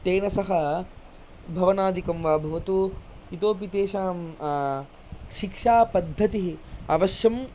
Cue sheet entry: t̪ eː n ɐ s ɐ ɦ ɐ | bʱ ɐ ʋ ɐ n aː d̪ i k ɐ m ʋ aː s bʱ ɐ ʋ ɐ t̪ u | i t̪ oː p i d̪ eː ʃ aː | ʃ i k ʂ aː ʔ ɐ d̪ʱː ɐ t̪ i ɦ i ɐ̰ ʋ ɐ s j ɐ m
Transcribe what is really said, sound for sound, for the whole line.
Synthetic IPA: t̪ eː n ɐ s ɐ ɦ ɐ | bʱ ɐ ʋ ɐ n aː d̪ i k ɐ m ʋ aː bʱ ɐ ʋ ɐ t̪ u | i t̪ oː p i t̪ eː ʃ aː | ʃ i k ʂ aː p ɐ d̪ʱː ɐ t̪ i ɦ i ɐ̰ ʋ ɐ ʃ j ɐ m